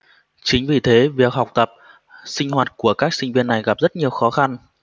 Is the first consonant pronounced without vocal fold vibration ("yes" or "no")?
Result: yes